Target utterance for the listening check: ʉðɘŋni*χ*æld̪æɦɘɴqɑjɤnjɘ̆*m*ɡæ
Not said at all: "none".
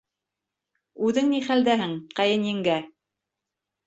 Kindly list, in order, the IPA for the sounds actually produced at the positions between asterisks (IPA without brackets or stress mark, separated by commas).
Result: χ, ŋ